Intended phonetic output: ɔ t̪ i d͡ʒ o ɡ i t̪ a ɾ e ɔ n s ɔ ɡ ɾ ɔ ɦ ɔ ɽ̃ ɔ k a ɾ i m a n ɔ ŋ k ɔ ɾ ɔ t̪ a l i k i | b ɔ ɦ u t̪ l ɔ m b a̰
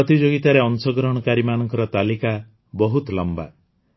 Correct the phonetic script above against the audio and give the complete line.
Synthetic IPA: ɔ t̪ i d͡ʒ o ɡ i t̪ a ɾ e ɔ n s ɔ ɡ ɾ ɔ ɦ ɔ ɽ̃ ɔ k a ɾ i m a n ɔ ŋ k ɔ ɾ ɔ t̪ a l i k a | b ɔ ɦ u t̪ l ɔ m b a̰

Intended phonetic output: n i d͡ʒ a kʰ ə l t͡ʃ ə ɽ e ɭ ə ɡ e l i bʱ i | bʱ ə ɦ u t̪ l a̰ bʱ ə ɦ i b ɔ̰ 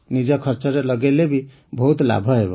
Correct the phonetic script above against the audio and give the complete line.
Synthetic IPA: n i d͡ʒ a kʰ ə ɾ t͡ʃ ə ɾ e l ə ɡ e l e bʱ i | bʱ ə ɦ u t̪ l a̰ bʱ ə ɦ e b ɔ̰

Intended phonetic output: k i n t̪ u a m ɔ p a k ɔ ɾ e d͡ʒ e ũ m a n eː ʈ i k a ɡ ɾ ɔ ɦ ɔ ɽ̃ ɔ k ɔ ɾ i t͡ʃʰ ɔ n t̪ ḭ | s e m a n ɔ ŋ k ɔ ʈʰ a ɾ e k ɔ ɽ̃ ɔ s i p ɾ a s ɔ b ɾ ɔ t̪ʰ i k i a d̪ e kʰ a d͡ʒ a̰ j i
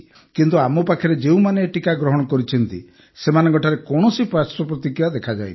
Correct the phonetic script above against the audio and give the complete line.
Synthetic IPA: k i n t̪ u a m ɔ p a kʰ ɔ ɾ e d͡ʒ e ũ m a n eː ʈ i k a ɡ ɾ ɔ ɦ ɔ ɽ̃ ɔ k ɔ ɾ i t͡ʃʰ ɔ n t̪ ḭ | s e m a n ɔ ŋ k ɔ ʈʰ a ɾ e k ɔ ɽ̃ ɔ s i p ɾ a s ɔ p ɾ ɔ t̪ i k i a d̪ e kʰ a d͡ʒ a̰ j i

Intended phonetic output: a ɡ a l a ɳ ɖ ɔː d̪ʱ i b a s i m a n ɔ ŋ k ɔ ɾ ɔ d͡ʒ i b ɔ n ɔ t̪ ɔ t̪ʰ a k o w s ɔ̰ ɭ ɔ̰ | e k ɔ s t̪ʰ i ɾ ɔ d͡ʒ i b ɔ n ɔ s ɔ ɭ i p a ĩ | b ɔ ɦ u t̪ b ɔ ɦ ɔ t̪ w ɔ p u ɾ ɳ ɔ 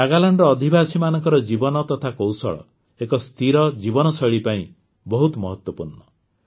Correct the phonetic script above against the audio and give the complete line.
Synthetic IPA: a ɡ a l a ɳ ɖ ɔː d̪ʱ i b a s i m a n ɔ ŋ k ɔ ɾ ɔ d͡ʒ i b ɔ n ɔ t̪ ɔ t̪ʰ a k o w s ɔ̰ ɭ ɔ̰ | e k ɔ s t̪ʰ i ɾ ɔ d͡ʒ i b ɔ n ɔ s ɔ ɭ i p a ĩ | b ɔ ɦ u t̪ m ɔ ɦ ɔ t̪ w ɔ p u ɾ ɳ ɔ

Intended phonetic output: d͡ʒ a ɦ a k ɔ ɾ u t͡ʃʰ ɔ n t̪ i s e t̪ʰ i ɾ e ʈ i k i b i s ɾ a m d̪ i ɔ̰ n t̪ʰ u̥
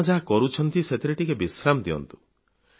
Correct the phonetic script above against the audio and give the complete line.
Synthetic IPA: d͡ʒ a ɦ a k ɔ ɾ u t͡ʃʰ ɔ n t̪ i s e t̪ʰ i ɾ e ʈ i k e b i s ɾ a m d̪ i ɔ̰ n t̪ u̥

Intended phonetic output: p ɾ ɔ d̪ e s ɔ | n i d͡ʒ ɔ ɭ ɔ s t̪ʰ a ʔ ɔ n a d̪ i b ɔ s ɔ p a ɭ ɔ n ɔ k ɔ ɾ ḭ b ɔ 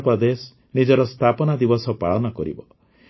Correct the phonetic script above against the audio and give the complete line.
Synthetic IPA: p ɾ ɔ d̪ e s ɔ | n i d͡ʒ ɔ ɾ ɔ s t̪ʰ a p ɔ n a d̪ i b ɔ s ɔ p a ɭ ɔ n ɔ k ɔ ɾ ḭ b ɔ

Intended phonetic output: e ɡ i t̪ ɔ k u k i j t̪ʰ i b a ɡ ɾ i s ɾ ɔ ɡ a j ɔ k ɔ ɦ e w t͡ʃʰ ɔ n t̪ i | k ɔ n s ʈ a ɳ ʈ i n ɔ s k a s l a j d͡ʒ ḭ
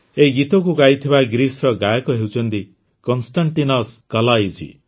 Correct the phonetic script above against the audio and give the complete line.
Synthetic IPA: e ɡ i t̪ ɔ k u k a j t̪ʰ i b a ɡ ɾ i s ɾ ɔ ɡ a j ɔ k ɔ ɦ e w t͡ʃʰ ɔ n t̪ i | k ɔ n s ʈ a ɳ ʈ i n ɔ s k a l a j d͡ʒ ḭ

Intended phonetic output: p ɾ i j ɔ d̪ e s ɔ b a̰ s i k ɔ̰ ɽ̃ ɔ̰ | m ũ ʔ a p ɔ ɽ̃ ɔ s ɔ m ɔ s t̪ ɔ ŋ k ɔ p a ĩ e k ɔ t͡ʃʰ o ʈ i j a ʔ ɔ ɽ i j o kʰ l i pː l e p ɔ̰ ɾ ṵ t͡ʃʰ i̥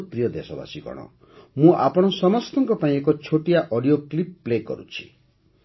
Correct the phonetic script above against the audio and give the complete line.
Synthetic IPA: p ɾ i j ɔ d̪ e s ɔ b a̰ s i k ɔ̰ ɽ̃ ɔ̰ | m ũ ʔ a p ɔ ɽ̃ ɔ s ɔ m ɔ s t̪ ɔ ŋ k ɔ p a ĩ e k ɔ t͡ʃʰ o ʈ i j a ʔ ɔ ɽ i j o k l i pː l e k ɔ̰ ɾ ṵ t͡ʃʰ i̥

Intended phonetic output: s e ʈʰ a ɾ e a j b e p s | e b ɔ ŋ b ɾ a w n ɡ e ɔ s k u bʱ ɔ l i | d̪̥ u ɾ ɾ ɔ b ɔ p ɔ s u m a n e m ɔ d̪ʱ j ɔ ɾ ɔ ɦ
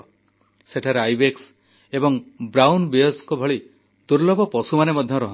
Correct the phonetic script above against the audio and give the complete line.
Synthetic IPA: s e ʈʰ a ɾ e a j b e k s | e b ɔ ŋ b ɾ a w n b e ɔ s k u bʱ ɔ ɭ i | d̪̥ u ɾ l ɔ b ɔ p ɔ s u m a n e m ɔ d̪ʱ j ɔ ɾ ɔ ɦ

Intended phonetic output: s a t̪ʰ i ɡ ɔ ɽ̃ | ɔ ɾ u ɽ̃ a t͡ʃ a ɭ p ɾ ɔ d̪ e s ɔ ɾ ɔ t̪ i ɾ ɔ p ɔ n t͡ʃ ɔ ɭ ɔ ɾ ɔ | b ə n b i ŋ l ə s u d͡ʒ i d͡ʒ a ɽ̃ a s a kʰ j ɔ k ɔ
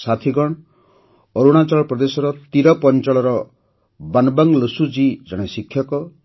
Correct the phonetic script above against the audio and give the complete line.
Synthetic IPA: s a t̪ʰ i ɡ ɔ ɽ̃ | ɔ ɾ u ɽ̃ a t͡ʃ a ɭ p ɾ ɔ d̪ e s ɔ ɾ ɔ t̪ i ɾ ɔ p ɔ n t͡ʃ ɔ ɭ ɔ ɾ ɔ | b a n b a ŋ l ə s u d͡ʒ i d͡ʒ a ɽ̃ e s i kʰ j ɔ k ɔ

